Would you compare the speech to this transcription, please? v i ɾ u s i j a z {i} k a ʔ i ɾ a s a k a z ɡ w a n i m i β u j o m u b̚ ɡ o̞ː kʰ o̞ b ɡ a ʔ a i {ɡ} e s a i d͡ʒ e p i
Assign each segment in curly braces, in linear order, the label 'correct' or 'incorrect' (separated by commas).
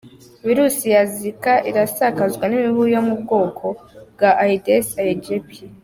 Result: correct, incorrect